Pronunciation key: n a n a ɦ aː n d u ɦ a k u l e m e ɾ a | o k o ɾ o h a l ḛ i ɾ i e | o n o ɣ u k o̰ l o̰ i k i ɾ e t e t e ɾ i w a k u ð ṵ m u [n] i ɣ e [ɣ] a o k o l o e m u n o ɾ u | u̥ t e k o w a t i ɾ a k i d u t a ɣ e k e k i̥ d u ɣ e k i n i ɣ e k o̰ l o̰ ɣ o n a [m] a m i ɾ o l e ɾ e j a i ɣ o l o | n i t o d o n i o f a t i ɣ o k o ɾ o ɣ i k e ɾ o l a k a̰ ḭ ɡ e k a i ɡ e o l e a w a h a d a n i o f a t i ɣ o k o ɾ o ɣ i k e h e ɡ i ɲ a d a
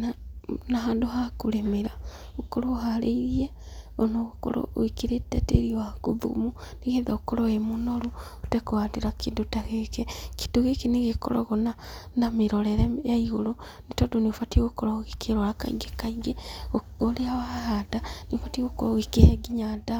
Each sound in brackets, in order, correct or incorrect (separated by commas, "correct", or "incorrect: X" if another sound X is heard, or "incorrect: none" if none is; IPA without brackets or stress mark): correct, incorrect: ð, incorrect: n